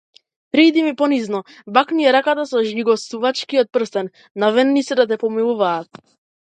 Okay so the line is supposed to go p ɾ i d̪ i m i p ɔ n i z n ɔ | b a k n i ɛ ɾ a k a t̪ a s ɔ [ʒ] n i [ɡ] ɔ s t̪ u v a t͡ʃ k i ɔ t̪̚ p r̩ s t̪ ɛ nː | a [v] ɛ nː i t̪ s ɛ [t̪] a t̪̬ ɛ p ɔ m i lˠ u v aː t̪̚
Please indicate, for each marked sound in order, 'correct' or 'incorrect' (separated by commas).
correct, correct, correct, incorrect